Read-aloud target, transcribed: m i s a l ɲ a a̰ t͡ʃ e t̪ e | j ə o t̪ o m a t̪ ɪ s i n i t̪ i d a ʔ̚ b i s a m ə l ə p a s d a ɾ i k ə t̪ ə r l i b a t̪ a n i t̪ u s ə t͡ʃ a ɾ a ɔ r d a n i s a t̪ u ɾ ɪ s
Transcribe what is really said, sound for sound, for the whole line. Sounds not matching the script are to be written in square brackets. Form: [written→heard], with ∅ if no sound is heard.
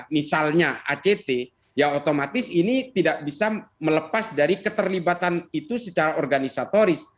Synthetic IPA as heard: m i s a l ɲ a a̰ t͡ʃ e t̪ e | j [ə→a] o t̪ o m a t̪ ɪ s i n i t̪ i d a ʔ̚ b i s a m ə l ə p a s d a ɾ i k ə t̪ ə r l i b a t̪ a n i t̪ u s ə t͡ʃ a ɾ a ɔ r [d→ɡ] a n i s a t̪ [u→o] ɾ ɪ s

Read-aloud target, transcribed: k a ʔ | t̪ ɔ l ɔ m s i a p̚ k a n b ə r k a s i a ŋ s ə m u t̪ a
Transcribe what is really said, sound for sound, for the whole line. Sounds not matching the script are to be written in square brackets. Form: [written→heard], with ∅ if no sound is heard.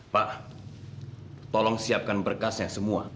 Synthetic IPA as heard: [k→p] a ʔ | t̪ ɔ l ɔ [m→ŋ] s i a p̚ k a n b ə r k a s [i→j] a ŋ s ə m u [t̪→∅] a

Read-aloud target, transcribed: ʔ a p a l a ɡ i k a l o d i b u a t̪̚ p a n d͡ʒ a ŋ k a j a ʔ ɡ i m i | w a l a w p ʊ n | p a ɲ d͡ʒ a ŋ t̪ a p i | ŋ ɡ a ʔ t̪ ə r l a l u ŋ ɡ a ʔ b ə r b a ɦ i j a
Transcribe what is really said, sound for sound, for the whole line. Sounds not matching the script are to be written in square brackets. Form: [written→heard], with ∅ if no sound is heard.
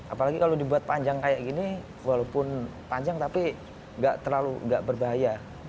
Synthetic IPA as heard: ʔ a p a l a ɡ i k a l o d i b u a t̪̚ p a [n→ɲ] d͡ʒ a ŋ k a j a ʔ ɡ i [m→n] i | w a l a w p ʊ n | p a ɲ d͡ʒ a ŋ t̪ a p i | ŋ ɡ a ʔ t̪ ə r l a l u ŋ ɡ a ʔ b ə r b a ɦ [i→a] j a

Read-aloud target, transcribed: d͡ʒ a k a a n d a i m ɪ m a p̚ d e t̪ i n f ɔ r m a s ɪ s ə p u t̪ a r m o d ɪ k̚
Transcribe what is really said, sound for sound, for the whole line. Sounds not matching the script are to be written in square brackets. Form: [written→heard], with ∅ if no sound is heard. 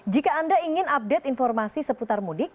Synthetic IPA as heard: d͡ʒ [a→i] k a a n d a i [m→ŋ] ɪ [m→n] a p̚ d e t̪ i n f ɔ r m a s [ɪ→i] s ə p u t̪ a r m [o→u] d ɪ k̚

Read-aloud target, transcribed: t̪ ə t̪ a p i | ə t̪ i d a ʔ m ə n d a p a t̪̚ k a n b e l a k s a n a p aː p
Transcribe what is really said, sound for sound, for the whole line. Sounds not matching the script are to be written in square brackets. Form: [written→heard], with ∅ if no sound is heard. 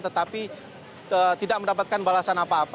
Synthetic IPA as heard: t̪ ə t̪ a p i | ə t̪ i d a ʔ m ə n d a p a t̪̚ k a n b [e→a] l a [k→∅] s a n a p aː p

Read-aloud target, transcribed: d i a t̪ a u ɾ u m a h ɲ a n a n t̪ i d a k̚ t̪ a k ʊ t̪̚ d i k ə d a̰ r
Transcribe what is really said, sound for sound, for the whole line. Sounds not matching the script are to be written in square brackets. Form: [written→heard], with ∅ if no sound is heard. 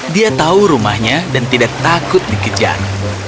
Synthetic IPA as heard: d i a t̪ a u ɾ u m a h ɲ a [n→d] a n t̪ i d a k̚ t̪ a k ʊ t̪̚ d i k ə [d→d͡ʒ] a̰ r

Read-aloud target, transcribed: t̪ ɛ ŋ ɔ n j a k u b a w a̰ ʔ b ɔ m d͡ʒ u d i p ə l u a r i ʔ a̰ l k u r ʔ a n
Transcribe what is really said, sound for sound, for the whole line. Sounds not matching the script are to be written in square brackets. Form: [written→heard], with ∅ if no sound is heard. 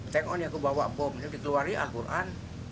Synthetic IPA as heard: t̪ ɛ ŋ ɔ n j a k u b a w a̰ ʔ b ɔ m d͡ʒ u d i [p→k] ə l u a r i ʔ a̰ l k u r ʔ a n

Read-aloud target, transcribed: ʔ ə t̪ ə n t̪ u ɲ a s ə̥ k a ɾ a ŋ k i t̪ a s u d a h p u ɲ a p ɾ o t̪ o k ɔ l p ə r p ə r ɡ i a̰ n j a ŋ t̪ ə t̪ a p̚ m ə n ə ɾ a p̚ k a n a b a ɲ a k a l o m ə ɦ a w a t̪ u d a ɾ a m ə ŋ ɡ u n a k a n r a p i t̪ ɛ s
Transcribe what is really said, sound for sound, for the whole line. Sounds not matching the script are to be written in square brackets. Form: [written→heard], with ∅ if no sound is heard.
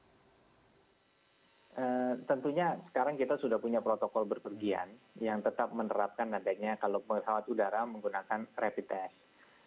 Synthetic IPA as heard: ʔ ə t̪ ə n t̪ u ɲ a s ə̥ k a ɾ a ŋ k i t̪ a s u d a h p u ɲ a p ɾ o t̪ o k ɔ l [p→b] ə r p ə r ɡ i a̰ n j a ŋ t̪ ə t̪ a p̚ m ə n ə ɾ a p̚ k a n a [b→d] a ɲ a k a l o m ə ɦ a w a t̪ u d a ɾ a m ə ŋ ɡ u n a k a n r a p i t̪ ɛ s

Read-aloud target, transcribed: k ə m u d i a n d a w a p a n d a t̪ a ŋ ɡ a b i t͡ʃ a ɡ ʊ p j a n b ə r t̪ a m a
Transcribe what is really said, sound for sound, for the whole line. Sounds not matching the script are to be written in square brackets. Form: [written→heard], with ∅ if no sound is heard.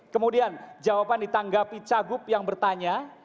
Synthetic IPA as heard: k ə m u d i a n [d→d͡ʒ] a w a p a n d [a→i] t̪ a ŋ ɡ a [b→p] i t͡ʃ a ɡ ʊ p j a [n→ŋ] b ə r t̪ a [m→ɲ] a

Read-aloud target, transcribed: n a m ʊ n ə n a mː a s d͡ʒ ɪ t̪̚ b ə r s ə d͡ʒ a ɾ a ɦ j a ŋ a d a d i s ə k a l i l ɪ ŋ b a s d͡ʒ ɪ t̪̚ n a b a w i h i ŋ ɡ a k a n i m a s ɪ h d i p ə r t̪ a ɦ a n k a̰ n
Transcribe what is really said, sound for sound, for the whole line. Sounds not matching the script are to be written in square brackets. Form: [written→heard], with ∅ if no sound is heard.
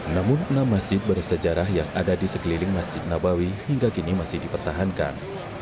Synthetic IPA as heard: n a m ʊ n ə n a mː a s d͡ʒ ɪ t̪̚ b ə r s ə d͡ʒ a ɾ a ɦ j a ŋ a d a d i s ə k [a→ə] l i l ɪ ŋ [b→m] a s d͡ʒ ɪ t̪̚ n a b a w i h i ŋ ɡ a k [a→i] n i m a s ɪ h d i p ə r t̪ a ɦ a n k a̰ n

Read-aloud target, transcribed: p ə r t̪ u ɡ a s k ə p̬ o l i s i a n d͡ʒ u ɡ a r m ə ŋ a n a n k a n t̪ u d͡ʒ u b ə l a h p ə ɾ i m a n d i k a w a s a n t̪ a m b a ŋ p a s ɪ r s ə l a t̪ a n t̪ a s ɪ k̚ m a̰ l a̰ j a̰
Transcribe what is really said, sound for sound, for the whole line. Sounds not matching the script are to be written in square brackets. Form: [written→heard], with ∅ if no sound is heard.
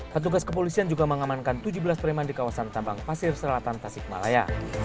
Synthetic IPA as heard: p ə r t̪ u ɡ a s k ə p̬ o l i s i a n d͡ʒ u ɡ a [r→∅] m ə ŋ a [n→m] a n k a n t̪ u d͡ʒ u b ə l a [h→s] p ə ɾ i m a n d i k a w a s a n t̪ a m b a ŋ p a s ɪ r s ə l a t̪ a n t̪ a s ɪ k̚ m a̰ l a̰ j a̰

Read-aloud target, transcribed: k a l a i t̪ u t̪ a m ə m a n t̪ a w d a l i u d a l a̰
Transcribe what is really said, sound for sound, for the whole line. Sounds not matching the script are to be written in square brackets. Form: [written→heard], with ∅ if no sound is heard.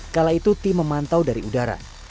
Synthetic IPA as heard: k a l a i t̪ u t̪ [a→i] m ə m a n t̪ a w d a [l→ɾ] i u d a [l→ɾ] a̰

